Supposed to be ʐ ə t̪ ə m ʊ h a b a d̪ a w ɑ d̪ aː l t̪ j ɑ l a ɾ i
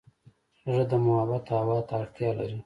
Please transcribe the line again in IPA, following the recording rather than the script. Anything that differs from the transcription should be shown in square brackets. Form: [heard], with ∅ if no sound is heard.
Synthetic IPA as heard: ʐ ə [d̪] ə m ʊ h a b a [t̪] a w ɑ [t̪] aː [ɽ] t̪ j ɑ l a ɾ i